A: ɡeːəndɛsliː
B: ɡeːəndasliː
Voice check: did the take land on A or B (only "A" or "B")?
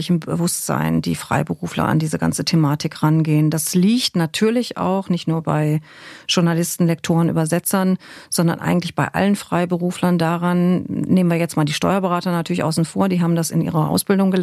B